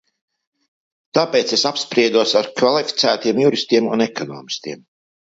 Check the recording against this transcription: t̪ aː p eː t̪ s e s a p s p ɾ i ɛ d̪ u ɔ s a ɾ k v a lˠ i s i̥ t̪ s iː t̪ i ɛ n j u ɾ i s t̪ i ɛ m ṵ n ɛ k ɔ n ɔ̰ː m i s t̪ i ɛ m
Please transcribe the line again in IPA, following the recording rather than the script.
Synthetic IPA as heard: t̪ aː p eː t̪ s e s a p s p ɾ i ɛ d̪ u ɔ s a ɾ k v a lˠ i f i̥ t̪ s æː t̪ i ɛ m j u ɾ i s t̪ i ɛ m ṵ n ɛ k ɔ n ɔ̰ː m i s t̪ i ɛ m

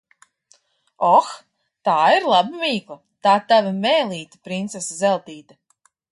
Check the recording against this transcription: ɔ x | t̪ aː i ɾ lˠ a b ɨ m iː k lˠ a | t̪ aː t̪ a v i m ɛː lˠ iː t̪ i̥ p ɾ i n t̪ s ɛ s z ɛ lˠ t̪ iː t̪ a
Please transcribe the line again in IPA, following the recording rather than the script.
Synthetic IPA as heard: ɔ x | t̪ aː i ɾ lˠ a b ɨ m iː k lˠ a | t̪ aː t̪ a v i m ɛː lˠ iː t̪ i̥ p ɾ i n t̪ s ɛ s z ɛ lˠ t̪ iː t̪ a

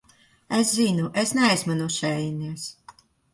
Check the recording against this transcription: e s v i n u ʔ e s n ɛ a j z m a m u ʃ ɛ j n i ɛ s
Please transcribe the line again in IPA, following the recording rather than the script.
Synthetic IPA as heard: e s z i n u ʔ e s n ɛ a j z m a n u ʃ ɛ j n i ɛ s

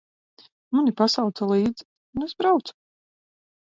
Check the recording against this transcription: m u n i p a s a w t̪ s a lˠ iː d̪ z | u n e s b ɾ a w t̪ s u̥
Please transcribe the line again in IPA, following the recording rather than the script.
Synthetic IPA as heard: m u n i p a s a w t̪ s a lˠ iː d̪ z | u n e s b ɾ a w t̪ s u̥

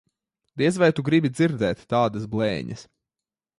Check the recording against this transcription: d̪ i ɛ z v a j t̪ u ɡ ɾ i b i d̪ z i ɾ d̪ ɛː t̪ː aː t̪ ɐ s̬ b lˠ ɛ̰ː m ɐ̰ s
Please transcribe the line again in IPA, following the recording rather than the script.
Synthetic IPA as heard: d̪ i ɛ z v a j t̪ u ɡ ɾ i b i d̪ z i ɾ d̪ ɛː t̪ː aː d̪ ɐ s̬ b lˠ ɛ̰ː ɲ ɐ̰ s

